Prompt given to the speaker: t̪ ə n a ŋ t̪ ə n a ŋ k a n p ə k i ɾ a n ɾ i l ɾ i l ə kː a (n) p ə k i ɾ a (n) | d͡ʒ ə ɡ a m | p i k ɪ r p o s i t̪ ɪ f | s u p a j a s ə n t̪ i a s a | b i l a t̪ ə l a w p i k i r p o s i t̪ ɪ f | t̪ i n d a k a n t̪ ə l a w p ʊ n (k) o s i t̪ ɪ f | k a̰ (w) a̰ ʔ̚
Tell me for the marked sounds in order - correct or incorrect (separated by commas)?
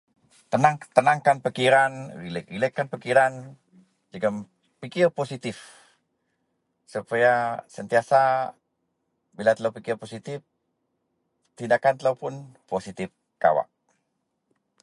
correct, correct, incorrect, correct